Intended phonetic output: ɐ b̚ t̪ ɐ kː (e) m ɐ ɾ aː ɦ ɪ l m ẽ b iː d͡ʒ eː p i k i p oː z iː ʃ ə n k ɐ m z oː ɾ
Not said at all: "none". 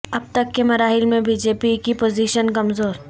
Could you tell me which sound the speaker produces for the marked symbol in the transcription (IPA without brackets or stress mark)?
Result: e